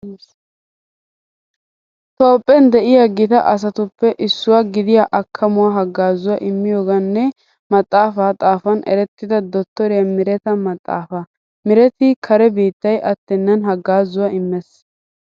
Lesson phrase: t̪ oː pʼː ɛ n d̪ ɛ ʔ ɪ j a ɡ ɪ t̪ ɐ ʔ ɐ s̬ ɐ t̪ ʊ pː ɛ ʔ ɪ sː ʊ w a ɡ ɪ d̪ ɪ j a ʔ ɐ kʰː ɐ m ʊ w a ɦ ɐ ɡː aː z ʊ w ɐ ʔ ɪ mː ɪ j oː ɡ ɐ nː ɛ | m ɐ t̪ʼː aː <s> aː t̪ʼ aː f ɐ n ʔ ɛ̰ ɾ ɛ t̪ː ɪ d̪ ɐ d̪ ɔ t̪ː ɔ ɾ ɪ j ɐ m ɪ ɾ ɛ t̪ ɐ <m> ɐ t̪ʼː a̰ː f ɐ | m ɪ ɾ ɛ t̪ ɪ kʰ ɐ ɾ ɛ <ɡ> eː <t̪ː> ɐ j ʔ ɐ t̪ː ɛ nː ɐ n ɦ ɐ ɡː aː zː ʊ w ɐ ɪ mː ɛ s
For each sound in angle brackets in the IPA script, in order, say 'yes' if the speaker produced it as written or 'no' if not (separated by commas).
no, yes, no, yes